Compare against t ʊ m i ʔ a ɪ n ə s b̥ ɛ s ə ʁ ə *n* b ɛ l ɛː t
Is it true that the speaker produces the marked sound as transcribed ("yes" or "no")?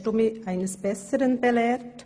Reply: yes